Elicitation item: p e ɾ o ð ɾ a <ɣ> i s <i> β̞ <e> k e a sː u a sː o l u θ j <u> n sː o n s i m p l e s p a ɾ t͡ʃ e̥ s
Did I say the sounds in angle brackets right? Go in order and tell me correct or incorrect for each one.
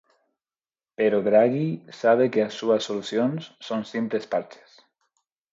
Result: correct, incorrect: a, correct, incorrect: o

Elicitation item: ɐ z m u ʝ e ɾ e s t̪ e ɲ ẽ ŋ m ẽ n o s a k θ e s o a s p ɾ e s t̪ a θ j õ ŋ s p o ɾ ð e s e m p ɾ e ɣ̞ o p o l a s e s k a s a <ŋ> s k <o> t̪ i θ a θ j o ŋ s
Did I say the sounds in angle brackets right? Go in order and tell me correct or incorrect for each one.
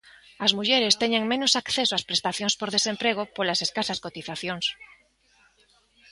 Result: incorrect: none, correct

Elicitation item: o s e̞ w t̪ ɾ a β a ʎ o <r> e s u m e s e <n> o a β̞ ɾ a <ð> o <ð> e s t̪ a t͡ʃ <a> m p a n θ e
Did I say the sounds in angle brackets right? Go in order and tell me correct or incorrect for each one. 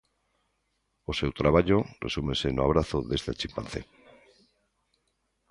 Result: correct, correct, incorrect: θ, correct, incorrect: i

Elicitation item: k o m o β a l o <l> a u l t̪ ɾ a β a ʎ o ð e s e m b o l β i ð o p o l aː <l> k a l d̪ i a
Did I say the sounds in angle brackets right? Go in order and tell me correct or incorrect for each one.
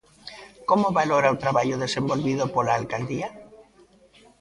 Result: incorrect: ɾ, correct

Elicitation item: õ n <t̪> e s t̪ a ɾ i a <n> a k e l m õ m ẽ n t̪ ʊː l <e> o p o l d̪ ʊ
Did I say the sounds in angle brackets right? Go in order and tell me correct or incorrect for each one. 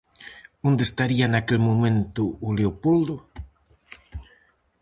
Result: incorrect: d̪, correct, correct

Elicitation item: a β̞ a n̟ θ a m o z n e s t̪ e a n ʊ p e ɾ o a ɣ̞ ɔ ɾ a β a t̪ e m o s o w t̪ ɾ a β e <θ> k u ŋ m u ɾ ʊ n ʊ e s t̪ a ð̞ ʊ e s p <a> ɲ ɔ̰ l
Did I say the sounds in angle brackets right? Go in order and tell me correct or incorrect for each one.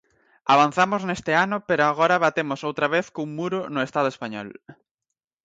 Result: correct, correct

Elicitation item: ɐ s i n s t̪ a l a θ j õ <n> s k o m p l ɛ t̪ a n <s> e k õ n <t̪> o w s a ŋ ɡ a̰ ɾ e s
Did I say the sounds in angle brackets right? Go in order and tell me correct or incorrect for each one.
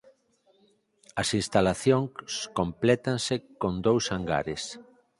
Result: incorrect: ŋ, correct, incorrect: d̪

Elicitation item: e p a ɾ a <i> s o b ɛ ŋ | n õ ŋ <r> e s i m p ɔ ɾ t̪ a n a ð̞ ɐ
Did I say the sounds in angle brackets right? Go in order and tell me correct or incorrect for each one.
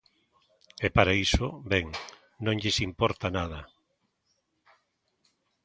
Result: correct, incorrect: ʎ

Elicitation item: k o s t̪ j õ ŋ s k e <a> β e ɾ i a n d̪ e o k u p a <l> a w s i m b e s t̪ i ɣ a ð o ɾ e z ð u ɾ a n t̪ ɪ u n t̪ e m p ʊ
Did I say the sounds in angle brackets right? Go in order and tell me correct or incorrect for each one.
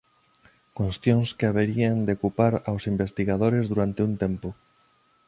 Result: correct, incorrect: ɾ

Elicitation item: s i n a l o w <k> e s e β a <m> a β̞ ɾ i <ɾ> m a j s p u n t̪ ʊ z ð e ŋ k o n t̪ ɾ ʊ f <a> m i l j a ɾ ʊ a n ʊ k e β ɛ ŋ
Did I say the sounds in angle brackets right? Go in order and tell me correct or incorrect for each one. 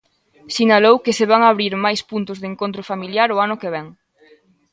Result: correct, incorrect: ŋ, correct, correct

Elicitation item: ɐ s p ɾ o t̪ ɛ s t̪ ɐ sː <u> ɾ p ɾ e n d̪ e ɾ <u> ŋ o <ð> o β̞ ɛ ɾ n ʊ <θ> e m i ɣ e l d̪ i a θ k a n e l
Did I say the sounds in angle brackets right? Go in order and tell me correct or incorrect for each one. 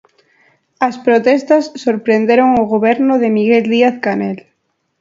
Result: incorrect: o, incorrect: o, incorrect: ɣ, incorrect: ð

